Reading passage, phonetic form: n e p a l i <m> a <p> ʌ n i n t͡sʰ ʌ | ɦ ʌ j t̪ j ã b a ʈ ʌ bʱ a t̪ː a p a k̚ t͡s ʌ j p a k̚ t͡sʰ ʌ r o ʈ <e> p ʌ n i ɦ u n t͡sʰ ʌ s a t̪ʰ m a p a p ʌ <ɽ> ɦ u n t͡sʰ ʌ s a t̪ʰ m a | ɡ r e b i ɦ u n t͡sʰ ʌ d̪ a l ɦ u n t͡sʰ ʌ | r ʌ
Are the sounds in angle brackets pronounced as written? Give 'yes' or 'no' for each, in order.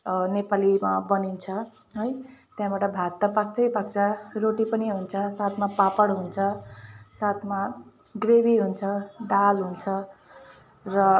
yes, no, no, yes

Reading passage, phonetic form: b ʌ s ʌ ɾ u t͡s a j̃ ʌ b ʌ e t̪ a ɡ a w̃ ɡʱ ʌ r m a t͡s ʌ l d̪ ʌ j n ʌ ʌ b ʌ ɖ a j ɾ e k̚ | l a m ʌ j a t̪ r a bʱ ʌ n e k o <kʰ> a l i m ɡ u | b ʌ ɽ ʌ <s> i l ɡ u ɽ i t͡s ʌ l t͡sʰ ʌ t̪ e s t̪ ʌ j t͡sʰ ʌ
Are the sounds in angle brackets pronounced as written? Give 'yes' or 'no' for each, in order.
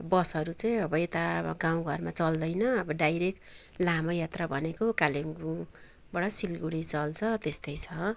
no, yes

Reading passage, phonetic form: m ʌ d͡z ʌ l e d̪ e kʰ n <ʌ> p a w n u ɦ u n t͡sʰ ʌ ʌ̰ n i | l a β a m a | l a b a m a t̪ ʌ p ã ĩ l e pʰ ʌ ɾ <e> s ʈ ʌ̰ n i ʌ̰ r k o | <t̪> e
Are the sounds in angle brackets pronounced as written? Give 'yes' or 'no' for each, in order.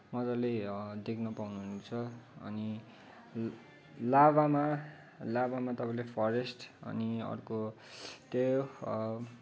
yes, yes, yes

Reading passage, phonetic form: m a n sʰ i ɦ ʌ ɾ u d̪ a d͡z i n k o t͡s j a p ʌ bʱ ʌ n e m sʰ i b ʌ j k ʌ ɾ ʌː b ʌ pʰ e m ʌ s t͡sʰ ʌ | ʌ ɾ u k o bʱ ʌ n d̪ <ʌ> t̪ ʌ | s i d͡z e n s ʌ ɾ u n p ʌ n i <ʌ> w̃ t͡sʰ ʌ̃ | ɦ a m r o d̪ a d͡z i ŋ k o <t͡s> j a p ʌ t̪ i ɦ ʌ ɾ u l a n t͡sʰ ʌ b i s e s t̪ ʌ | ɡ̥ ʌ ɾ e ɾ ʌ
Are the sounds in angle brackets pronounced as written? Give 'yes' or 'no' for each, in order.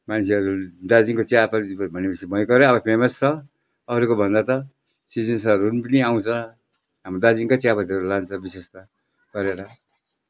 no, no, yes

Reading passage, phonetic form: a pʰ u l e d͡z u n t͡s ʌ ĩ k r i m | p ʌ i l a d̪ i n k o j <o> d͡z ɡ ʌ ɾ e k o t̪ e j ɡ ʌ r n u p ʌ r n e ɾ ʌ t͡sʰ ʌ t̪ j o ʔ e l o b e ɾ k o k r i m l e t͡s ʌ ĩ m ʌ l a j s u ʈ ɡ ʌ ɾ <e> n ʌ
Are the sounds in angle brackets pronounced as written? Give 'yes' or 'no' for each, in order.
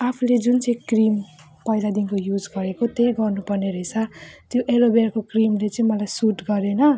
no, yes

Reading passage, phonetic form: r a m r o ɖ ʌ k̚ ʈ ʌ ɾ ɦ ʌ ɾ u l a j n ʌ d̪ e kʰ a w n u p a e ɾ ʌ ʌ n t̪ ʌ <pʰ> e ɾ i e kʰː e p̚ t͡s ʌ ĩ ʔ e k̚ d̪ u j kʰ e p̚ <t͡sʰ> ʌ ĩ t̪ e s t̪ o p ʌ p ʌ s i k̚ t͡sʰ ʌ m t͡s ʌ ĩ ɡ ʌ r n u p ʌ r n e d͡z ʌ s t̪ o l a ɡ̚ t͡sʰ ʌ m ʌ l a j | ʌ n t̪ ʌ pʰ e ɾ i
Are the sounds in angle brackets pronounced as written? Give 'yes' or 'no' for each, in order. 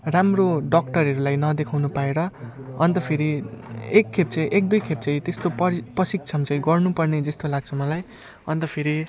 yes, no

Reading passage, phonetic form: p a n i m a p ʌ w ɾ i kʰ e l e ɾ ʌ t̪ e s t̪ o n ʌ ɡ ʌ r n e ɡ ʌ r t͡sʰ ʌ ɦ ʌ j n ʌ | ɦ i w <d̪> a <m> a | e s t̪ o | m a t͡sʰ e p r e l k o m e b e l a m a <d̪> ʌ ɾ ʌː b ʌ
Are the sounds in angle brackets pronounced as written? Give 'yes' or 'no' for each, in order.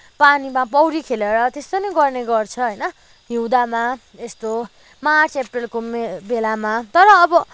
yes, yes, no

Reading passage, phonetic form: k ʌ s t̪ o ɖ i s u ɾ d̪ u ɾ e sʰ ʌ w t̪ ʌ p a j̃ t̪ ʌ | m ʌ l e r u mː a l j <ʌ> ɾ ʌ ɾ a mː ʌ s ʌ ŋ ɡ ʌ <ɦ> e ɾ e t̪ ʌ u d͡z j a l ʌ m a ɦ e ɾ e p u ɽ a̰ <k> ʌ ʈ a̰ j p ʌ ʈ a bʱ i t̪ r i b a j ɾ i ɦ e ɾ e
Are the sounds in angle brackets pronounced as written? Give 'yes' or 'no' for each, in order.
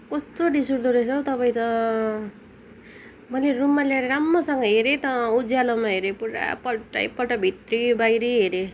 no, yes, no

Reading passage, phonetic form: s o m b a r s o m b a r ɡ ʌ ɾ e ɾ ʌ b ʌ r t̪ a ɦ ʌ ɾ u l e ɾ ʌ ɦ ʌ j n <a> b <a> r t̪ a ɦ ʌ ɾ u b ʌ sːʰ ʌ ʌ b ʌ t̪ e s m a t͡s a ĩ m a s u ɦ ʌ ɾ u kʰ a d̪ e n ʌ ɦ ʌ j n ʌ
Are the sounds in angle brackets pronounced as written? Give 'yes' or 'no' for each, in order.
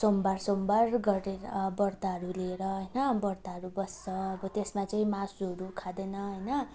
no, no

